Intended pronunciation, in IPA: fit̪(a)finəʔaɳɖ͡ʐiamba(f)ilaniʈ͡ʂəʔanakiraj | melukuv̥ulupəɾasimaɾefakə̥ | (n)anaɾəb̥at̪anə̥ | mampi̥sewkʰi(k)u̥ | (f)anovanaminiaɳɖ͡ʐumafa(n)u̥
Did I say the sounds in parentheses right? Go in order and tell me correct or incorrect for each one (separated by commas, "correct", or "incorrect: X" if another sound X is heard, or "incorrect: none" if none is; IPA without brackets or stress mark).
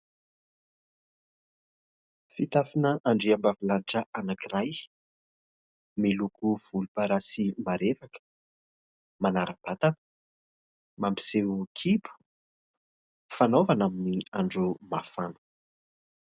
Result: correct, incorrect: v, incorrect: m, incorrect: p, correct, correct